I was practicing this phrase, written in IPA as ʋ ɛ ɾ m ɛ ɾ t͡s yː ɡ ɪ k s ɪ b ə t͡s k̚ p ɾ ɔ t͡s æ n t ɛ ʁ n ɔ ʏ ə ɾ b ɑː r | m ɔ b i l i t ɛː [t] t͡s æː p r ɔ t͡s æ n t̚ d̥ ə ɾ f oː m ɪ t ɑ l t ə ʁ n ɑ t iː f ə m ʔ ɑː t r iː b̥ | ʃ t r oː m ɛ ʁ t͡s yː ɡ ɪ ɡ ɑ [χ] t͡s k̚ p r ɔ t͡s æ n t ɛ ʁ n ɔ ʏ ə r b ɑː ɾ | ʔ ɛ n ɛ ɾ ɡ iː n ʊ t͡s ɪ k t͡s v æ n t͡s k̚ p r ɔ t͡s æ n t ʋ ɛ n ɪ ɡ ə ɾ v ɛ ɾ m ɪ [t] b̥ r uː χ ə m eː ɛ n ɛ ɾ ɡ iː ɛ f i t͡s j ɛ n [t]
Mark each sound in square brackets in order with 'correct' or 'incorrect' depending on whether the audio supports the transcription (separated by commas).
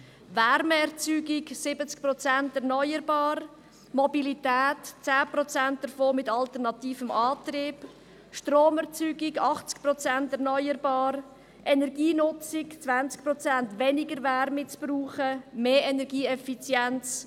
correct, correct, incorrect, incorrect